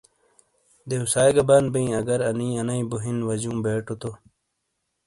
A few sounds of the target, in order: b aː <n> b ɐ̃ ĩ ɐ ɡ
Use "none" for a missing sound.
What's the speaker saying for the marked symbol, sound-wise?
n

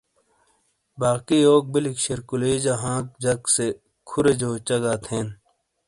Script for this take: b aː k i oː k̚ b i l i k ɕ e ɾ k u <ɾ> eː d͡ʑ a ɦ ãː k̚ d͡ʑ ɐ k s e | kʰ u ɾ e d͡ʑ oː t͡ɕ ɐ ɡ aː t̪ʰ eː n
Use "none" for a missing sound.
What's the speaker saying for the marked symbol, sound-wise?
l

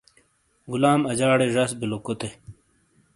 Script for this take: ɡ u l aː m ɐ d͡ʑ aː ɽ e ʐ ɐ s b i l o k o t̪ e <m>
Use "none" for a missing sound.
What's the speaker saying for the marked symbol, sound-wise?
none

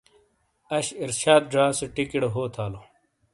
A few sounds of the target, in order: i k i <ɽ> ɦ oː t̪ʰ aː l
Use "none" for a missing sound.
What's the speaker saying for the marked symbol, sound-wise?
ɽ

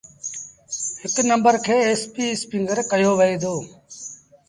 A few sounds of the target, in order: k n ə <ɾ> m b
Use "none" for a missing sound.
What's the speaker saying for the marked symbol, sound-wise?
none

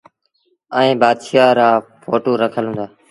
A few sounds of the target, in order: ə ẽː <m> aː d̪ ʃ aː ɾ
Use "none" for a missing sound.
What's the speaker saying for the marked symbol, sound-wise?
b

